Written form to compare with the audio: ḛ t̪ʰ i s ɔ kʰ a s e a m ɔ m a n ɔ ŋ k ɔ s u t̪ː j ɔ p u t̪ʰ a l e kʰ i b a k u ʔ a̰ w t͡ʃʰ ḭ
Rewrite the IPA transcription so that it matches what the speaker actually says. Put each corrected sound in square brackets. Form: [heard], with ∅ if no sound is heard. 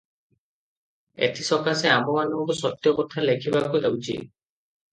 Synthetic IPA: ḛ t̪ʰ i s ɔ [k] a s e a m ɔ m a n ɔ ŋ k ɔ s [ɔ] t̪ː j ɔ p [ɔ] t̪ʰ a l e kʰ i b a k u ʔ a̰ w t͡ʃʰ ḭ